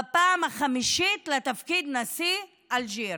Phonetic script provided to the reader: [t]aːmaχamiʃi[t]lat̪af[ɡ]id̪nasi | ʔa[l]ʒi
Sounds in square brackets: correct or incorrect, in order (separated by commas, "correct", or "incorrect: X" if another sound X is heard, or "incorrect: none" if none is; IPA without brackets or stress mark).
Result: incorrect: p, correct, incorrect: k, correct